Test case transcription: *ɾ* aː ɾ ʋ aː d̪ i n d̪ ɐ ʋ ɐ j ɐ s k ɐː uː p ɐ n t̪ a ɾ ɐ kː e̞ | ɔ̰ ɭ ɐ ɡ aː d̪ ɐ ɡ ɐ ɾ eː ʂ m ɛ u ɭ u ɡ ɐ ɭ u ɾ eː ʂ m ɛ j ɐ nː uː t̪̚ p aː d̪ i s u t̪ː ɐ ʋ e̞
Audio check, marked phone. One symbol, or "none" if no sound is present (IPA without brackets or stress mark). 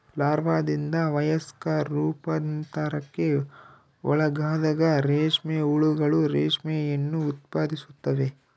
l